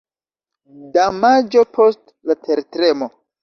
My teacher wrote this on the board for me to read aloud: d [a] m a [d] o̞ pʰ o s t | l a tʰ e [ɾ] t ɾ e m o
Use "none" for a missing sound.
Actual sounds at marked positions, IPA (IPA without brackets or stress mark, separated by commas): a, d͡ʒ, ɾ